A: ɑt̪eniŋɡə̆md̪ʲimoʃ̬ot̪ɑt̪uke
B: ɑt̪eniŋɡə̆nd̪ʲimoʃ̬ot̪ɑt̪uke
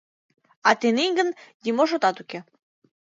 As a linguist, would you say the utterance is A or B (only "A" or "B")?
B